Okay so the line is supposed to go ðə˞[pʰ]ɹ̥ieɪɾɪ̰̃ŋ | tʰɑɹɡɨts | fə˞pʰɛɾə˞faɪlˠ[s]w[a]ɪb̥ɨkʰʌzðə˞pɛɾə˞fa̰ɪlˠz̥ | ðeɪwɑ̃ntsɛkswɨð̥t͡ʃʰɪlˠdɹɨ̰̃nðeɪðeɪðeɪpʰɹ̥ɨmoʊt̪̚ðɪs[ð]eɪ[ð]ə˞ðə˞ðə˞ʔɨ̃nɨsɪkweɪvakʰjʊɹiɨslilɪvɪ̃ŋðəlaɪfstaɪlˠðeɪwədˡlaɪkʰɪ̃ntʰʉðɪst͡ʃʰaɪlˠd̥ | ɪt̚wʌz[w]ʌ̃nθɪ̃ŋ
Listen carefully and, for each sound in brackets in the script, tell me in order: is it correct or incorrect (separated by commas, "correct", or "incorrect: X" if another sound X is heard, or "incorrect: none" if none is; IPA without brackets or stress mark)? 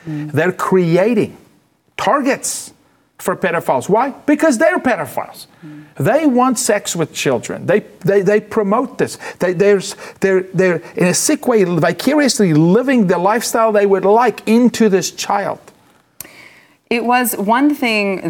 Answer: incorrect: kʰ, incorrect: z, correct, correct, correct, correct